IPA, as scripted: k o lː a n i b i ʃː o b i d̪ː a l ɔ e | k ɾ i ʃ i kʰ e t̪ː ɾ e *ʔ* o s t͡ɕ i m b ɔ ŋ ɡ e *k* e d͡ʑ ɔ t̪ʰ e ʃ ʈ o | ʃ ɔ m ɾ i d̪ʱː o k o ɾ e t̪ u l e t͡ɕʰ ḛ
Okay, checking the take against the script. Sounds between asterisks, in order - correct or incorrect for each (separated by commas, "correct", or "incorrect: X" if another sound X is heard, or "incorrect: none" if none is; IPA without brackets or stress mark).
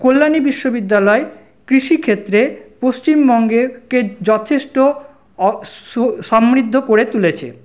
incorrect: p, correct